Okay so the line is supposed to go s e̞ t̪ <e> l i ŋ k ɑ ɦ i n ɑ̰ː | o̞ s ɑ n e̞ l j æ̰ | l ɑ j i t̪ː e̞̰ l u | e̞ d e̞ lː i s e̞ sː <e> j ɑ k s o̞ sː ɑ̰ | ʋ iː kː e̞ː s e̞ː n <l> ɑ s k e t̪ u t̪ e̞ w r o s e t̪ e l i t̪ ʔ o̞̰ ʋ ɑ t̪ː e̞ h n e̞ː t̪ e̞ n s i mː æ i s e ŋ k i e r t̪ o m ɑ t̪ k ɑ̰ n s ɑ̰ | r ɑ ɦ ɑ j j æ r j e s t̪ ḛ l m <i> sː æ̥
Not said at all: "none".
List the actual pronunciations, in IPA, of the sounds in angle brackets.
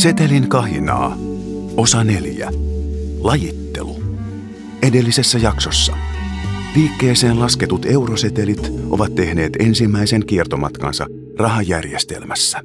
e, æ, l, æ

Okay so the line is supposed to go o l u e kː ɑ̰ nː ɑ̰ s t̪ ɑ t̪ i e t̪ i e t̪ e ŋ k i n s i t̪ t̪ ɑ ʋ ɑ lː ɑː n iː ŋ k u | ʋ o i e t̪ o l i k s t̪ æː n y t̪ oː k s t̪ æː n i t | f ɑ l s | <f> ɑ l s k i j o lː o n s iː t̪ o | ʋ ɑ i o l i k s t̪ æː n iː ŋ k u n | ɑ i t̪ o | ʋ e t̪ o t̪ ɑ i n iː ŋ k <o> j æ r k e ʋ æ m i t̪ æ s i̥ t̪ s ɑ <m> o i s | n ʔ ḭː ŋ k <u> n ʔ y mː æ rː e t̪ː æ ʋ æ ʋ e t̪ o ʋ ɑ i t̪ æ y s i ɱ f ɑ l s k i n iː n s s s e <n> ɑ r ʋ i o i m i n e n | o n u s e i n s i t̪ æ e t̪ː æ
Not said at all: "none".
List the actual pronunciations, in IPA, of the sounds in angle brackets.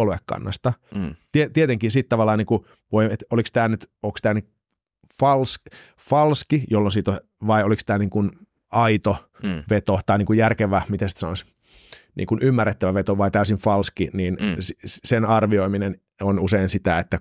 f, u, n, u, n

